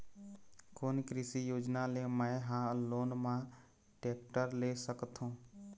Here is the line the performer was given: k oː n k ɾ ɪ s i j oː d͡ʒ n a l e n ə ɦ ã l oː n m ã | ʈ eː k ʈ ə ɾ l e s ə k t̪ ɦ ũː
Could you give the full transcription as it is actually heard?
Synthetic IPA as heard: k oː n k ɾ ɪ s i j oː d͡ʒ n a l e m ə ɦ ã l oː n m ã | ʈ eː k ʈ ə ɾ l e s ə k t̪ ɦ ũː

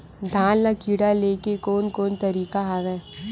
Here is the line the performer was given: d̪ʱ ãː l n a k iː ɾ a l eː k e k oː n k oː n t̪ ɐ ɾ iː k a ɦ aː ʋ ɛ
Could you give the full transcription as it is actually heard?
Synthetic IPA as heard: d̪ʱ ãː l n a k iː ɽ a l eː k e k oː n k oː n t̪ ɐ ɾ iː k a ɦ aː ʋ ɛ

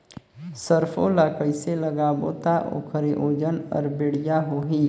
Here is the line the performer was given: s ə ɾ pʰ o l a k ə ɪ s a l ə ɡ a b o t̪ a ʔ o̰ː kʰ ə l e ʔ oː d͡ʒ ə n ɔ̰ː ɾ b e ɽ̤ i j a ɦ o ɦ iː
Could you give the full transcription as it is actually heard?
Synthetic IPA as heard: s ə ɾ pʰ o l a k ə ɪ s e l ə ɡ a b o t̪ a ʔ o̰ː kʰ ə ɾ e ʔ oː d͡ʒ ə n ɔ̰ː ɾ b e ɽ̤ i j a ɦ o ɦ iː

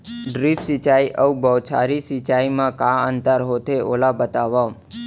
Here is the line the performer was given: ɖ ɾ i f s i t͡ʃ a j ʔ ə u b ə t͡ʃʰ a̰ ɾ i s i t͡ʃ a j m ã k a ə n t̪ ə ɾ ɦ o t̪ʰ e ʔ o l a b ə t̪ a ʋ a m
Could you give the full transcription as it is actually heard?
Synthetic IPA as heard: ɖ ɾ i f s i t͡ʃ a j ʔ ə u b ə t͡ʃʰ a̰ ɾ i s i t͡ʃ a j m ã k a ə n t̪ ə ɾ ɦ o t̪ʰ e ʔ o l a b ə t̪ a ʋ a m

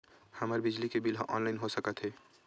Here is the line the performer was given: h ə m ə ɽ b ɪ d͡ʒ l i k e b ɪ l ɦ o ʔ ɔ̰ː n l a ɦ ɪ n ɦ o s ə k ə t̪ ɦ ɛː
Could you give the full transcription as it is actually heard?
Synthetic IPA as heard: h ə m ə ɾ b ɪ d͡ʒ l i k e b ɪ l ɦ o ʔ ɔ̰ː n l a ɪ n ɦ o s ə k ə t̪ ɦ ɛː

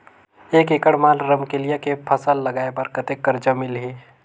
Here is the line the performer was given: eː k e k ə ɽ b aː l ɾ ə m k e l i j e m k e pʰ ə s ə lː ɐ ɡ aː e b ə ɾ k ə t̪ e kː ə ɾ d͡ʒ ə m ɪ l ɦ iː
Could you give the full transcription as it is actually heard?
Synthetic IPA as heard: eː k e k ə ɽ m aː l ɾ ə m k e l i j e k e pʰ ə s ə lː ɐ ɡ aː e b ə ɾ k ə t̪ e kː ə ɾ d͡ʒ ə m ɪ l ɦ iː

